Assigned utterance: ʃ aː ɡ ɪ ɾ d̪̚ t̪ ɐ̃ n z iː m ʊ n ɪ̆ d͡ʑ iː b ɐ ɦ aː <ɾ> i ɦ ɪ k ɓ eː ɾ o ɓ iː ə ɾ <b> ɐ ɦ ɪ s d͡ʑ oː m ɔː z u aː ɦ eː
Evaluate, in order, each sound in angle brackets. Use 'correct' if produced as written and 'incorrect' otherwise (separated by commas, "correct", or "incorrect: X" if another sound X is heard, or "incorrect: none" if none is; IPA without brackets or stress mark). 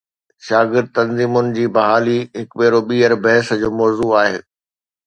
incorrect: l, correct